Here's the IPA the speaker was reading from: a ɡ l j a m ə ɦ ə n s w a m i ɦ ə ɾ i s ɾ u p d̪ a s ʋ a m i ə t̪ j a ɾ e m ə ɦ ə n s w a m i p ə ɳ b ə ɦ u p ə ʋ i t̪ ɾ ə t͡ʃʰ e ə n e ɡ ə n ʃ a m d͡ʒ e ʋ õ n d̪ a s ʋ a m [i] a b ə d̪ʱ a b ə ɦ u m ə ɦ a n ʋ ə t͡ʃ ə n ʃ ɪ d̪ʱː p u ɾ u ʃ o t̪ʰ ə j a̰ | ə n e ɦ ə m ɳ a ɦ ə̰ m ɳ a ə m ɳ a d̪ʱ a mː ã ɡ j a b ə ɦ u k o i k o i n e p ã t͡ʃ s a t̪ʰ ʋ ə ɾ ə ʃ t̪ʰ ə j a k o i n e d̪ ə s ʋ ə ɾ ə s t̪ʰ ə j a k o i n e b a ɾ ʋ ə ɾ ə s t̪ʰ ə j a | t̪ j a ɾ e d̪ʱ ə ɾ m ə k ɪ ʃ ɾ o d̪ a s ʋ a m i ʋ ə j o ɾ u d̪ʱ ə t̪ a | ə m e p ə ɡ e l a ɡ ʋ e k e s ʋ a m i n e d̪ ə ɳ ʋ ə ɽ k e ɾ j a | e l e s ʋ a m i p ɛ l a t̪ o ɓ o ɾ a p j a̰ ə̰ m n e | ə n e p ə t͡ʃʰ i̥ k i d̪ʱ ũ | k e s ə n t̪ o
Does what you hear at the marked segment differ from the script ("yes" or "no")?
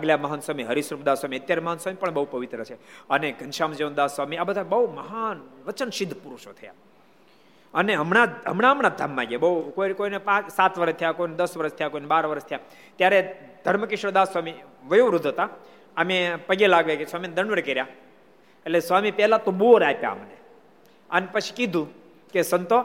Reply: no